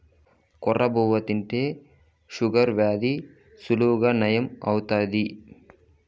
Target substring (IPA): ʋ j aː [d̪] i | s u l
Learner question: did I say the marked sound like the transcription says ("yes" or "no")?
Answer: yes